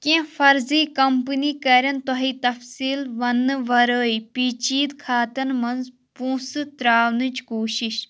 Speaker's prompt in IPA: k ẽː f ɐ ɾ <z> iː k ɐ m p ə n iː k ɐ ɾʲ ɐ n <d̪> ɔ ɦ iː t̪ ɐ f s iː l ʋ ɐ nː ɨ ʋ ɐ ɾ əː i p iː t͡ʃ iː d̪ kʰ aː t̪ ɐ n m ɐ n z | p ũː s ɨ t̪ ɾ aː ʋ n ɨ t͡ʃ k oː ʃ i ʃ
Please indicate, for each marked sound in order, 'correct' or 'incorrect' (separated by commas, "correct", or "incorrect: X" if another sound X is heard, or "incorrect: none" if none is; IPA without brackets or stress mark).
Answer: correct, incorrect: t̪